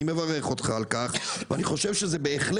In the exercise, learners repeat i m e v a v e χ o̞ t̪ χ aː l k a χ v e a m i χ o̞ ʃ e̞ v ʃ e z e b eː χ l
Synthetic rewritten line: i m e v a ʁ e χ o̞ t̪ χ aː l k a χ v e a n i χ o̞ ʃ e̞ v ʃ e z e b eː χ l